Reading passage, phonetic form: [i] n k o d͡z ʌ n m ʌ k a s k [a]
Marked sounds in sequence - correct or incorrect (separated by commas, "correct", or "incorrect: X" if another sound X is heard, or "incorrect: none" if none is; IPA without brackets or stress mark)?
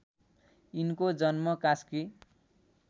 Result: correct, incorrect: i